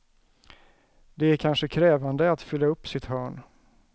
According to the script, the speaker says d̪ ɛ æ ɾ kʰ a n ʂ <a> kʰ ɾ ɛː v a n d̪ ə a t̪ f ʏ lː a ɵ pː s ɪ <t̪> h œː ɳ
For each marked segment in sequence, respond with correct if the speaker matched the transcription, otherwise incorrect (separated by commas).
incorrect, correct